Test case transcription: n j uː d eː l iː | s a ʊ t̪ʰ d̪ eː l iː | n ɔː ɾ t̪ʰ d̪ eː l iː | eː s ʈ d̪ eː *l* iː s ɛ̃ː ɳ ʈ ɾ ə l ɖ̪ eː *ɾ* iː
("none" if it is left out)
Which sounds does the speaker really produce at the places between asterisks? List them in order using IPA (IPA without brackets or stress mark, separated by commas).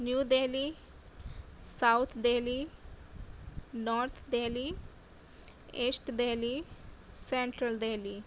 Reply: l, l